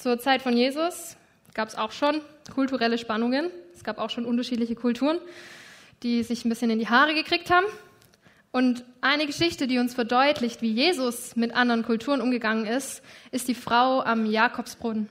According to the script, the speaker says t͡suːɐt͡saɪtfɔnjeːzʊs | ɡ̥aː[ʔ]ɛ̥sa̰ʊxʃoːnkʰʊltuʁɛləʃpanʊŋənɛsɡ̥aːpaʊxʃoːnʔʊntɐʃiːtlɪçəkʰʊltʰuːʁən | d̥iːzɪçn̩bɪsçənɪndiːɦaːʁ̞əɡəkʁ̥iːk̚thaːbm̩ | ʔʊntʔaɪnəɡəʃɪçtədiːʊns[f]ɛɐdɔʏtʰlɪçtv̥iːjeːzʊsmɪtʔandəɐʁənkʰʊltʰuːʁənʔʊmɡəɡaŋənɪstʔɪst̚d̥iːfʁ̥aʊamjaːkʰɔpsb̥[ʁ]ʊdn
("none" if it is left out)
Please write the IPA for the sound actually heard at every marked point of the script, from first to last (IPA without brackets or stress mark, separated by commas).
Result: p, f, ʁ